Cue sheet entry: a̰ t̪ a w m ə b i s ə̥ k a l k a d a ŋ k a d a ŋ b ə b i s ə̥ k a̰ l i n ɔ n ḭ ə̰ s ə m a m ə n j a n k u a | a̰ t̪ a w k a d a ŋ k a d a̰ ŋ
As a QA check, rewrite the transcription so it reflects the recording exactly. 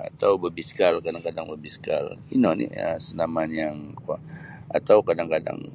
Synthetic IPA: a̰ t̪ a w b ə b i s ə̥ k a l k a d a ŋ k a d a ŋ b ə b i s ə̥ k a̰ l i n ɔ n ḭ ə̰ s ə n a m a n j a ŋ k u a | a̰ t̪ a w k a d a ŋ k a d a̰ ŋ